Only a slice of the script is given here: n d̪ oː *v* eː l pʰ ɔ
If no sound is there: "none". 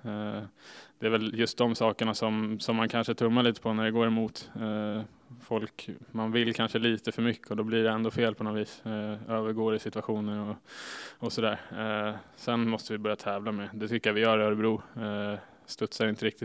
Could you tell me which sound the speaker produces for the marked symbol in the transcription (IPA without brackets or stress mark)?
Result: f